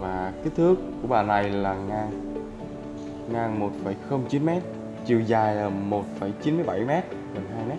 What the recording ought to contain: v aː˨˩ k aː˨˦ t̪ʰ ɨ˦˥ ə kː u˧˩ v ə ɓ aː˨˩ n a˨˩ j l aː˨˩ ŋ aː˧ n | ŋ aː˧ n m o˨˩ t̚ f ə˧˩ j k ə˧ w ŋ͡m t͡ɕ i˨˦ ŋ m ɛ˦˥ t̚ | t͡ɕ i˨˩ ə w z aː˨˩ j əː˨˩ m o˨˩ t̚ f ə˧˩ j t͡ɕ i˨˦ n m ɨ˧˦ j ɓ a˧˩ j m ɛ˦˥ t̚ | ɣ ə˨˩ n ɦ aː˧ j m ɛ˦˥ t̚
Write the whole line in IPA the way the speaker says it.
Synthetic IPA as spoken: v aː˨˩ k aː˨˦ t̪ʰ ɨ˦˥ ə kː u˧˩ ə ɓ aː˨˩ n a˨˩ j l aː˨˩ ŋ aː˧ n | ŋ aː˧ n m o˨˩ t̚ f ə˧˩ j x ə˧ w ŋ͡m t͡ɕ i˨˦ n m ɛ˦˥ t̚ | t͡ɕ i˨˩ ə w z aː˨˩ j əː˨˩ m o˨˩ t̚ f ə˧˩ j t͡ɕ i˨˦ n m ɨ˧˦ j ɓ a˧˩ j m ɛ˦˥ t̚ | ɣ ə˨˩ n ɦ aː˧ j m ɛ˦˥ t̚